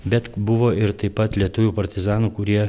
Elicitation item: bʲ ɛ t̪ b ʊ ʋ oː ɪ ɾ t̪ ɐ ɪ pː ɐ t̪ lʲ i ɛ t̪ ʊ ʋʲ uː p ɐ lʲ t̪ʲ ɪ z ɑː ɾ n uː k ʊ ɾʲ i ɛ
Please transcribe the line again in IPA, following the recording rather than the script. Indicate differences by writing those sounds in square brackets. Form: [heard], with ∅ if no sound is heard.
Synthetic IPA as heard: bʲ ɛ t̪ b ʊ ʋ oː ɪ ɾ t̪ ɐ ɪ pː ɐ t̪ lʲ i ɛ t̪ ʊ ʋʲ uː p ɐ [ɾʲ] t̪ʲ ɪ z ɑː [∅] n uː k ʊ ɾʲ i ɛ